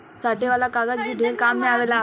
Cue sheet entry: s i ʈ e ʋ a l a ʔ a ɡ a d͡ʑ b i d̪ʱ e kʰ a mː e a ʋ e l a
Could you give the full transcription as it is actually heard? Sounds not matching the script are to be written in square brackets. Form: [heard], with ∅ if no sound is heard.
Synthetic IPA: s [a] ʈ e ʋ a l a [k] a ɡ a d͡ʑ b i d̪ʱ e [k] a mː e a ʋ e l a